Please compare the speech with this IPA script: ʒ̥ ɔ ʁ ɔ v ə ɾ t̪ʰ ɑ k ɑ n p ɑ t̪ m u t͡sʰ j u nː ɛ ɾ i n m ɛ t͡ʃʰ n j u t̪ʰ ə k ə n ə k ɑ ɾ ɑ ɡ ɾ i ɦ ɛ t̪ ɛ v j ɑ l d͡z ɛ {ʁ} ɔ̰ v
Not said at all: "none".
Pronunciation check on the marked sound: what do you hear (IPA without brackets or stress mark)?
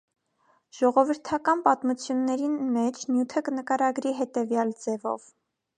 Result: v